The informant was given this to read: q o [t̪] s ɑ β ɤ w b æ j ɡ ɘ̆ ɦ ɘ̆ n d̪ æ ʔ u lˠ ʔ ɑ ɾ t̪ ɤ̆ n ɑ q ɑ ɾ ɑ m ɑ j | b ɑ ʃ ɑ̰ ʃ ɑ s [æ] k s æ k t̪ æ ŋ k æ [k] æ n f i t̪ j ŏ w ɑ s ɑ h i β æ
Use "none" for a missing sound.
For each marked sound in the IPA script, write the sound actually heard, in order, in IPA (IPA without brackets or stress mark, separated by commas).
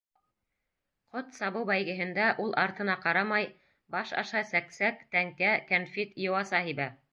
t̪, æ, k